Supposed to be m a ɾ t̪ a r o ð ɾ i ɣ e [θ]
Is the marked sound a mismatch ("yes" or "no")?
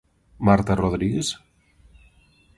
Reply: yes